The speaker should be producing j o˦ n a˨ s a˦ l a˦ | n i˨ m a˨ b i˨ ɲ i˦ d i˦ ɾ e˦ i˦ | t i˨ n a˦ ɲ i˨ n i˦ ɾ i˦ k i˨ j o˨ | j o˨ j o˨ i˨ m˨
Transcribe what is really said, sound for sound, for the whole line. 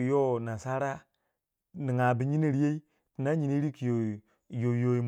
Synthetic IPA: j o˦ n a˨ s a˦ ɾ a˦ | n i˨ ŋ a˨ b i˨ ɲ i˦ n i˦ ɾ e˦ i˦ | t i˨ n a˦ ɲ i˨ n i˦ ɾ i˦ k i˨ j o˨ | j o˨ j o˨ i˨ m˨